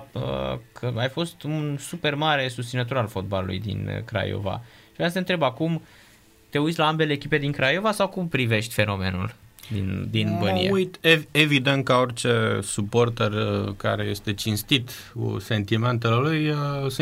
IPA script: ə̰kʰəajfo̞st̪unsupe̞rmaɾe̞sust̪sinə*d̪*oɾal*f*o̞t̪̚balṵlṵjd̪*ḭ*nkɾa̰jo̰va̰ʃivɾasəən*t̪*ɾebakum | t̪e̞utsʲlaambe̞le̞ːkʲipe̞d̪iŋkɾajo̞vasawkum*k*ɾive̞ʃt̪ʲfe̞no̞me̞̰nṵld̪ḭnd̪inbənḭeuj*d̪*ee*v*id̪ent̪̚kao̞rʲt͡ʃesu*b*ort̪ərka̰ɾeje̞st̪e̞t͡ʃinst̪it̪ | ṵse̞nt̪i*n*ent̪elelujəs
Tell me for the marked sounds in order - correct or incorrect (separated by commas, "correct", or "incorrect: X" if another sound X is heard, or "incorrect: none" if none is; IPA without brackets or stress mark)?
incorrect: t̪, correct, correct, correct, incorrect: p, incorrect: t̪, correct, incorrect: p, incorrect: m